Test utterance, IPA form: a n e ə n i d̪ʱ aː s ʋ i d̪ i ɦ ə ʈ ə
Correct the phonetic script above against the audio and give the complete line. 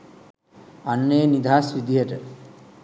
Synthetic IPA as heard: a nː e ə n i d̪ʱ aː s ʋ i d̪ i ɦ ə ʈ ə